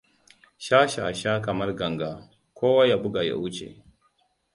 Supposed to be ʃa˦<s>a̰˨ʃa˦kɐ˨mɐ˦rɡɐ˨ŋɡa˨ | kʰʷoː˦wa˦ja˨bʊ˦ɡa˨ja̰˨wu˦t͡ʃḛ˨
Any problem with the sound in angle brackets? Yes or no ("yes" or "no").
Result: yes